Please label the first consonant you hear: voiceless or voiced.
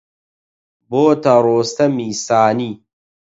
voiced